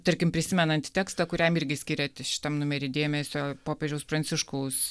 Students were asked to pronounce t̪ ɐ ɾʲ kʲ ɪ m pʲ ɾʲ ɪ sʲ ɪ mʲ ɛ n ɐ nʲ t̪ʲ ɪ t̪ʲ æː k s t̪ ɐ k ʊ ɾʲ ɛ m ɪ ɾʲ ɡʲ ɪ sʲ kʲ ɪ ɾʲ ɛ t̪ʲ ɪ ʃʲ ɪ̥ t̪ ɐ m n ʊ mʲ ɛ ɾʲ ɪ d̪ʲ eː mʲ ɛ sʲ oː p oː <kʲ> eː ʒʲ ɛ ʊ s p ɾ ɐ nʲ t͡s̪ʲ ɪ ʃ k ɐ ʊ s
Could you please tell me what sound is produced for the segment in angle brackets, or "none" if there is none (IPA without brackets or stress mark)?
pʲ